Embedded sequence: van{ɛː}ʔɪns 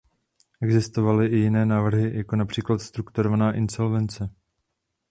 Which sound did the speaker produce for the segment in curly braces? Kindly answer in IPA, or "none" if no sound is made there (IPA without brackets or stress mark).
aː